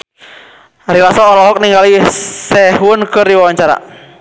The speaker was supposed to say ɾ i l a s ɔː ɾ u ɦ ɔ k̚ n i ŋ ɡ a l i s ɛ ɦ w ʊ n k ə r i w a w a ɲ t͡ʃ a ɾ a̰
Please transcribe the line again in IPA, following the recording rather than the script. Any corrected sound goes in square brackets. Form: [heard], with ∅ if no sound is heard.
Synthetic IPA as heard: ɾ i l a s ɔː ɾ [ɔ] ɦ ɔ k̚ n i ŋ ɡ a l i s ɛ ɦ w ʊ n k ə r i w a w a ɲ t͡ʃ a ɾ a̰